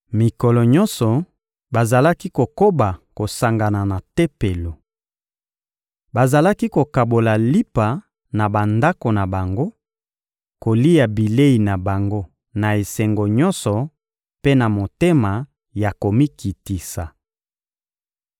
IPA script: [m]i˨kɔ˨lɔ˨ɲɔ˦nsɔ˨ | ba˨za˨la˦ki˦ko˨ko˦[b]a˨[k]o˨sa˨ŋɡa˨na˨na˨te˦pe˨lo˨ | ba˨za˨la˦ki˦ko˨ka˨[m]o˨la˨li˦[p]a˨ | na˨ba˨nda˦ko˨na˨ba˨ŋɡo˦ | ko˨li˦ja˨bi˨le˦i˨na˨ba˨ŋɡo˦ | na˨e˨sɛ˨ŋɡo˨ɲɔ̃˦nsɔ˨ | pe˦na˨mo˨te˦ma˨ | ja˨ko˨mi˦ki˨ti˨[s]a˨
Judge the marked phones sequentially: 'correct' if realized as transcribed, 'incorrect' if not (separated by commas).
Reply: correct, correct, correct, incorrect, correct, correct